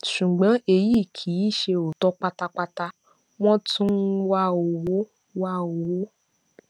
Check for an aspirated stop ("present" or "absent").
present